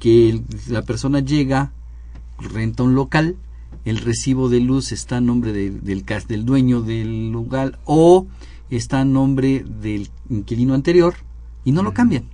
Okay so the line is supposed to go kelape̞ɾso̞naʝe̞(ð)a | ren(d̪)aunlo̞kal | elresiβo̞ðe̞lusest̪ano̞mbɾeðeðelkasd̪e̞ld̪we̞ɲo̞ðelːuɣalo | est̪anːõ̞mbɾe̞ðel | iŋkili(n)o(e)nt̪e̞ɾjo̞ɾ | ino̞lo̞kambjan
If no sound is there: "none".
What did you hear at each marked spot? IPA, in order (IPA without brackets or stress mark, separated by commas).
ɣ, t̪, n, a